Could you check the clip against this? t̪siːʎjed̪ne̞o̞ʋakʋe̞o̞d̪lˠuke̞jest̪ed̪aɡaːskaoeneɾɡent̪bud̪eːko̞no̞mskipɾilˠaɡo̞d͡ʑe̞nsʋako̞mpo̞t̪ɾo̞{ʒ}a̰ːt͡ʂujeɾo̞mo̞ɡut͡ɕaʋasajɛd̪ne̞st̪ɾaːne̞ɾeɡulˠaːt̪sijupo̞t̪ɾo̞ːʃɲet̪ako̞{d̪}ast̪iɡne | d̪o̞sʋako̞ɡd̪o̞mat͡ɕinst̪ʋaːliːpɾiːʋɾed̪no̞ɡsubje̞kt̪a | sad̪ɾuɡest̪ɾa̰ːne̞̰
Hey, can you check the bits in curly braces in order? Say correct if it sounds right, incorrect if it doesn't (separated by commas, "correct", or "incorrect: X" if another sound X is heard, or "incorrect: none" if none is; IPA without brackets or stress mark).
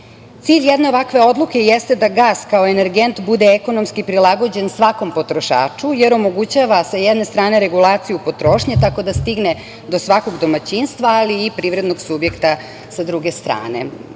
incorrect: ʃ, correct